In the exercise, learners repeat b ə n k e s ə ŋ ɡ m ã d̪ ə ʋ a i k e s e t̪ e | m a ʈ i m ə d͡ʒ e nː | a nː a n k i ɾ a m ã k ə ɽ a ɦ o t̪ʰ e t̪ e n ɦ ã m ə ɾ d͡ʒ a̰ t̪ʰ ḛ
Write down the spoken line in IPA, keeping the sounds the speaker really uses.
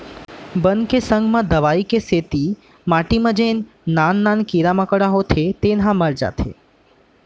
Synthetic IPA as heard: b ə n k e s ə ŋ ɡ m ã d̪ ə ʋ a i k e s e t̪ i | m a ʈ i m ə d͡ʒ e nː | a nː a n k i ɾ a m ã k ə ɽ a ɦ o t̪ʰ e t̪ e n ɦ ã m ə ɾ d͡ʒ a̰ t̪ʰ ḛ

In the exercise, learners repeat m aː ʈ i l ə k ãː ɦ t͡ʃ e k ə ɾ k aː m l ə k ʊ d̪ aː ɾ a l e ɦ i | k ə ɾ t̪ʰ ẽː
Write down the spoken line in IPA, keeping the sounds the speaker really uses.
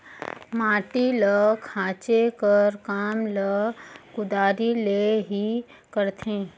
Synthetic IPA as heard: m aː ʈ i l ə kʰ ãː t͡ʃ e k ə ɾ k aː m l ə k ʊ d̪ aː ɾ i l e ɦ i | k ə ɾ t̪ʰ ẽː

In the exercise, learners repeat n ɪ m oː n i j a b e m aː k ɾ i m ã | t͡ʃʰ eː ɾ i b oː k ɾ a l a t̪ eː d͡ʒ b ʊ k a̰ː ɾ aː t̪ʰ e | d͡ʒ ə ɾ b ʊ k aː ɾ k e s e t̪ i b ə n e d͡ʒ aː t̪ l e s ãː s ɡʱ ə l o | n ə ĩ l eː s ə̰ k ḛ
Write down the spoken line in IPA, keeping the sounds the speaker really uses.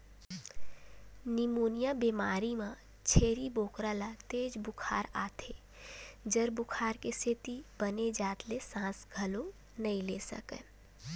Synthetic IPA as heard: n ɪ m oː n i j a b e m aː ɾ i m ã | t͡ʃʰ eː ɾ i b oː k ɾ a l a t̪ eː d͡ʒ b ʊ kʰ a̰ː ɾ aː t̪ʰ e | d͡ʒ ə ɾ b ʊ kʰ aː ɾ k e s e t̪ i b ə n e d͡ʒ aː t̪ l e s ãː s ɡʱ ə l o | n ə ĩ l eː s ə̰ k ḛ

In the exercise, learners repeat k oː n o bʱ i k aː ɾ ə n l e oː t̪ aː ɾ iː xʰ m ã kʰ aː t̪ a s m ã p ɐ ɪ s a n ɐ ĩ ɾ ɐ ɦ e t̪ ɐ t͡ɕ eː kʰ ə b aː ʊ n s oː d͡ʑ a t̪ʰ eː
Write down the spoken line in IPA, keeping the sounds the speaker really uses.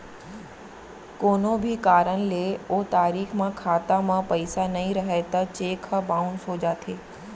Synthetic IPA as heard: k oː n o bʱ i k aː ɾ ə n l e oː t̪ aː ɾ iː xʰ m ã kʰ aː t̪ a m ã p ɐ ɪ s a n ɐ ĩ ɾ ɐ ɦ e t̪ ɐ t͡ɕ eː kʰ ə b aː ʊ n s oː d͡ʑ a t̪ʰ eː

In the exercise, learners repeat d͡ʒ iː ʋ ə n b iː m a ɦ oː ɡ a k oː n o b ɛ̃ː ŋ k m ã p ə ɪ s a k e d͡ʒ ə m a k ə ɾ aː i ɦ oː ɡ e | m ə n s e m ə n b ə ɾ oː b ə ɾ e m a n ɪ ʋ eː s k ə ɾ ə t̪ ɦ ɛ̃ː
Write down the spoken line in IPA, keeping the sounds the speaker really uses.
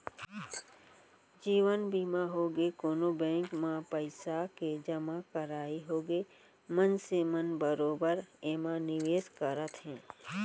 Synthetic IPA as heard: d͡ʒ iː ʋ ə n b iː m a ɦ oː ɡ e k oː n o b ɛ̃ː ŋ k m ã p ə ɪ s a k e d͡ʒ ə m a k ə ɾ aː i ɦ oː ɡ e | m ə n s e m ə n b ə ɾ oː b ə ɾ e m a n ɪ ʋ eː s k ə ɾ ə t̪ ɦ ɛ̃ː

